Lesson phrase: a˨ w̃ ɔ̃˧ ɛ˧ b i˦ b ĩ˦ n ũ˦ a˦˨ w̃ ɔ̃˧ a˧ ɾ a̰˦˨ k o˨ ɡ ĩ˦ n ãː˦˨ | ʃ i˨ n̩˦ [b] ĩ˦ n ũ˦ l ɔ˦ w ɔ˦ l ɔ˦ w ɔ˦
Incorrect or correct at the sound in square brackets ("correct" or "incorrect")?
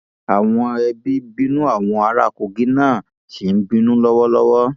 correct